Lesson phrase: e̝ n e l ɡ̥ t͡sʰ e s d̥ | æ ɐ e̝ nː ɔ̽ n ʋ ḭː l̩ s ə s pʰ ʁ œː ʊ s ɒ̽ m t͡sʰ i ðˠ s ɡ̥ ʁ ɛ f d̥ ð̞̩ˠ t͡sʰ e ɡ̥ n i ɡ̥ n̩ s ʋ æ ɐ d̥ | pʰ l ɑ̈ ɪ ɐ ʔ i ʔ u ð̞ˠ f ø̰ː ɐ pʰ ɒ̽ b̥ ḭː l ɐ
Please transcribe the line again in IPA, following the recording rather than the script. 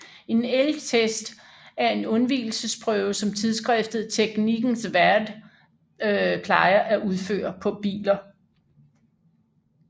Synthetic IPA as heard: e̝ n e l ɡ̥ t͡sʰ e s d̥ | æ ɐ e̝ n ɔ̽ n ʋ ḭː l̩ s ə s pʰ ʁ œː ʊ s ɒ̽ m t͡sʰ i ðˠ s ɡ̥ ʁ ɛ f d̥ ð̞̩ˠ t͡sʰ e ɡ̥ n i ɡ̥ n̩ s ʋ æ ɐ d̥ | pʰ l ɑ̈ ɪ ɐ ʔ æ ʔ u ð̞ˠ f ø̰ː ɐ pʰ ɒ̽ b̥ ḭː l ɐ